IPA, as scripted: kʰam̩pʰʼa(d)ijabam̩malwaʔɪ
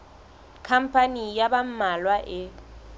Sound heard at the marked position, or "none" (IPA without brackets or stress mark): n